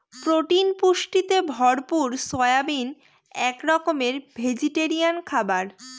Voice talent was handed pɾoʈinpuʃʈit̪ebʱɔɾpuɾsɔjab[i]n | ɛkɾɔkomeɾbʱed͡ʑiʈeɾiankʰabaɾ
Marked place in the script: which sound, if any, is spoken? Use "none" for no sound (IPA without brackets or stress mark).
i